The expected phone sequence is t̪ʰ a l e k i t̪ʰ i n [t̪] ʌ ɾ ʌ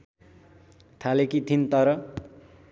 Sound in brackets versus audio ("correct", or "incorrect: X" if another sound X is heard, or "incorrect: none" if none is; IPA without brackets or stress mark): correct